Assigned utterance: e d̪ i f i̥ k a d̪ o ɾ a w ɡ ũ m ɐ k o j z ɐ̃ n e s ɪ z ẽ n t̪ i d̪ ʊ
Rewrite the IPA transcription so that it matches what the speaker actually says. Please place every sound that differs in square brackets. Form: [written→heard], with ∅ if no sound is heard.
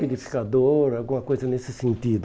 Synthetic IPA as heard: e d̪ i f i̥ k a d̪ o ɾ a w ɡ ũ m ɐ k o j z [ɐ̃→ɐ] n e s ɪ [z→s] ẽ n t̪ i d̪ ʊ